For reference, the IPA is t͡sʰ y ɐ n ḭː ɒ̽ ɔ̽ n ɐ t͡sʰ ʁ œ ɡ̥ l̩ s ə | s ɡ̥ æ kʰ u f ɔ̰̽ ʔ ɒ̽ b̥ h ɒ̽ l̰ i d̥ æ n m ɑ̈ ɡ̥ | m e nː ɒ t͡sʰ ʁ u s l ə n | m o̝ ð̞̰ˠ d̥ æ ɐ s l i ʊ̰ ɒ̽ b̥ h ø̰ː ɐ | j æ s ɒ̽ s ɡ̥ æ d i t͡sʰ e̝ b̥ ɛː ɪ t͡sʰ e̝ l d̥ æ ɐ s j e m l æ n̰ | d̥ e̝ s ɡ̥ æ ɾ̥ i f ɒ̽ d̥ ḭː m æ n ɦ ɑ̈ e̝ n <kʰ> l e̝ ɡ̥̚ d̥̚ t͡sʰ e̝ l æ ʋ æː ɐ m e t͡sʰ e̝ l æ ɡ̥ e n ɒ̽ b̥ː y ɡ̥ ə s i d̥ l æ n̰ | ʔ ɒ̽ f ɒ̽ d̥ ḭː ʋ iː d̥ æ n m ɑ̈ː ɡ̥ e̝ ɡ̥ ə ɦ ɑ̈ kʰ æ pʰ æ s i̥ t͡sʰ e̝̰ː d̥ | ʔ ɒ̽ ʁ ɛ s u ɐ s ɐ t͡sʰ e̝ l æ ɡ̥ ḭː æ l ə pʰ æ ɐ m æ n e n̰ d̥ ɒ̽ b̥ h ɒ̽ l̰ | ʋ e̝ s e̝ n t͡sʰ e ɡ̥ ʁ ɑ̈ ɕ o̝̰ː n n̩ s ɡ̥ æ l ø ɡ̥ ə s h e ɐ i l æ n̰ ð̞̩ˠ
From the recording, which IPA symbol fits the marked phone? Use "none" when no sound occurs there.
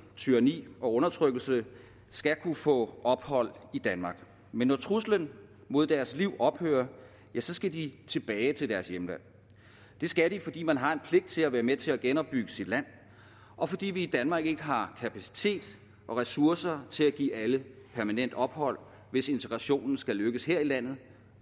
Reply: pʰ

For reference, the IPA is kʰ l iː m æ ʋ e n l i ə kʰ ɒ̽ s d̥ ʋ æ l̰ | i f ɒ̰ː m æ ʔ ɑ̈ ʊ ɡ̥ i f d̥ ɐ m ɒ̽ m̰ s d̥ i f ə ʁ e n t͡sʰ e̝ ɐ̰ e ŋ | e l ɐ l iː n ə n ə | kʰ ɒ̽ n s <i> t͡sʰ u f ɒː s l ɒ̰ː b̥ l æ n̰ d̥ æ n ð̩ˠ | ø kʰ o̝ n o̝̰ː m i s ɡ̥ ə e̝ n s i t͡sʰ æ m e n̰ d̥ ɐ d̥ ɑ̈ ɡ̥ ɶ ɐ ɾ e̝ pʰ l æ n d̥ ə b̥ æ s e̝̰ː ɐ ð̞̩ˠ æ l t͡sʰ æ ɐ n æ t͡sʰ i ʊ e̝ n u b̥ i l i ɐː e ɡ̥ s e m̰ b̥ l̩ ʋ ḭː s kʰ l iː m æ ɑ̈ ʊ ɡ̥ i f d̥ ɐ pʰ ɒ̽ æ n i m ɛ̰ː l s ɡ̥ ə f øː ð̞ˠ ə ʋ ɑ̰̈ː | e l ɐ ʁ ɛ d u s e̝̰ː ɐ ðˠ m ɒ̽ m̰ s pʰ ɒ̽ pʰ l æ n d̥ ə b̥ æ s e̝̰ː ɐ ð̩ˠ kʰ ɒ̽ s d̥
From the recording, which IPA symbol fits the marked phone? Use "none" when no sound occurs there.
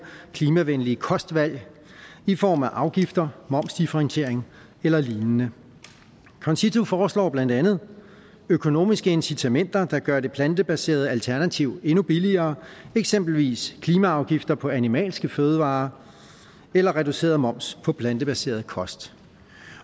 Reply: i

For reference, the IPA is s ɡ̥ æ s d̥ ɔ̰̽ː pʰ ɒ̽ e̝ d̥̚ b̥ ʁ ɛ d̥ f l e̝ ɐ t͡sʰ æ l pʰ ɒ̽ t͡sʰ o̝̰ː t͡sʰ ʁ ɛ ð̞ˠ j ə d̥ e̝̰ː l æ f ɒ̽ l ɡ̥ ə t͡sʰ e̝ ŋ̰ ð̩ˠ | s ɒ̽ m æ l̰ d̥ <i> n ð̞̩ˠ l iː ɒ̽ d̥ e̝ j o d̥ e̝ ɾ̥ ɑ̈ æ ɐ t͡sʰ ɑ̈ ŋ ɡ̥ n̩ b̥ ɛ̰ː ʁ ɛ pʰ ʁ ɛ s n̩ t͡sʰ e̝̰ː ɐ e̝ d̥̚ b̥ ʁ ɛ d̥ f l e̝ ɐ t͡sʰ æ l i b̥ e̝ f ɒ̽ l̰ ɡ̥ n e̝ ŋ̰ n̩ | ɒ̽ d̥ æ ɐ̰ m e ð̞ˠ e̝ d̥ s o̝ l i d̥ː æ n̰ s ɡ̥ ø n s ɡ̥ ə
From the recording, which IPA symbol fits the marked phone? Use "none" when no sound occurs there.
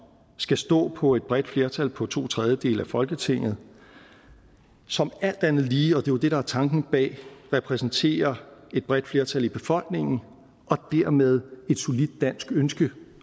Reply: æ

